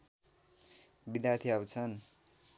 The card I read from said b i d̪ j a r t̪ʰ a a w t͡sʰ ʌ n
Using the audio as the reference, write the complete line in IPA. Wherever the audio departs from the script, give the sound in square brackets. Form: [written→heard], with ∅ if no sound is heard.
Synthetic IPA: b i d̪ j a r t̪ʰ [a→i] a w t͡sʰ ʌ n